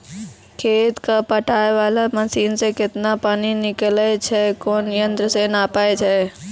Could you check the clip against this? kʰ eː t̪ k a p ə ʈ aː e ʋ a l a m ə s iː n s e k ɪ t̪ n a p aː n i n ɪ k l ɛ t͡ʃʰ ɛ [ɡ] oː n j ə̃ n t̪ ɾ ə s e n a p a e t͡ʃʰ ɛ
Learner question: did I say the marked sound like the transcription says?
no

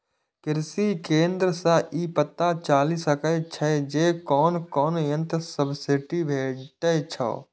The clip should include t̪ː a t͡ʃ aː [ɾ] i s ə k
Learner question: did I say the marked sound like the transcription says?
no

